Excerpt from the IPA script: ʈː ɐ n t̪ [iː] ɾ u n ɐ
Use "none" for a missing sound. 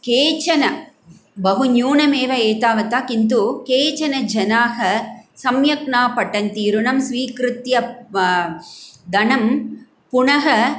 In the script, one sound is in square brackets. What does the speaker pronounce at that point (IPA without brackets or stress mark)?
iː